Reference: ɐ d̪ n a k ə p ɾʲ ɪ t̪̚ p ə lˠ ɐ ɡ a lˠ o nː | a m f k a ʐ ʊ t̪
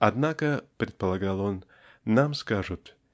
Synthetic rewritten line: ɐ d̪ n a k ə p ɾʲ ɪ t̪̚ p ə lˠ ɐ ɡ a lˠ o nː | a m s k a ʐ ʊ t̪